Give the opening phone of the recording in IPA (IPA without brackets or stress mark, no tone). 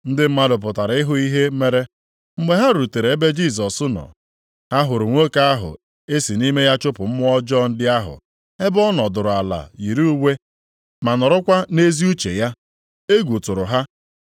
n̩